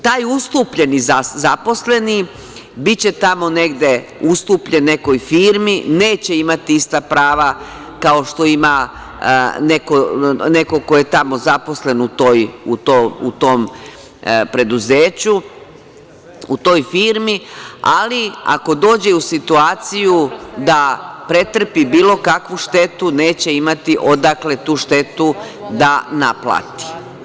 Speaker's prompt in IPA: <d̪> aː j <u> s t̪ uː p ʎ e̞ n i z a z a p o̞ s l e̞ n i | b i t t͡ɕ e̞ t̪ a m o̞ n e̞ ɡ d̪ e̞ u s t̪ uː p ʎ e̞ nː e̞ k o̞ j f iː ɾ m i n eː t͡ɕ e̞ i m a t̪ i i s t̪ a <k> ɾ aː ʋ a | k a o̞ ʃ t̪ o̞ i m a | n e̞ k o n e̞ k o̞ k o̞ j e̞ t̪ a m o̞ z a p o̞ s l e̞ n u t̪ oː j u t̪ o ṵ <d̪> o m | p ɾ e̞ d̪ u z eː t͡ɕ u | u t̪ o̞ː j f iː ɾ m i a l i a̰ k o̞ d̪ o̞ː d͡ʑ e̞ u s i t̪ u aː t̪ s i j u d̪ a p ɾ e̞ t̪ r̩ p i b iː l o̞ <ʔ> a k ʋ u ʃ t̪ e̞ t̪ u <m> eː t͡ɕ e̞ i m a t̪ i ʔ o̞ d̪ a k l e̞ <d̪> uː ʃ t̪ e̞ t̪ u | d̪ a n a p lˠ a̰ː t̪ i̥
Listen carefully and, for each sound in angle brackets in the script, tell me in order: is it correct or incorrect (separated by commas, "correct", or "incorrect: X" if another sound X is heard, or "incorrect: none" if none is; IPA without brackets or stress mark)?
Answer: incorrect: t̪, correct, incorrect: p, incorrect: t̪, incorrect: k, incorrect: n, incorrect: t̪